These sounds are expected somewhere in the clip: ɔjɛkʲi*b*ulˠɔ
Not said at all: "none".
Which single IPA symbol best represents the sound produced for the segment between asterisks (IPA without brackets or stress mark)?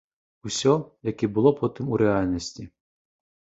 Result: b